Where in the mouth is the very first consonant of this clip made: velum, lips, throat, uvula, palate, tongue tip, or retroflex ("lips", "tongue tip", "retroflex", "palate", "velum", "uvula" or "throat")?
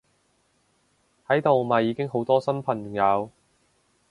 throat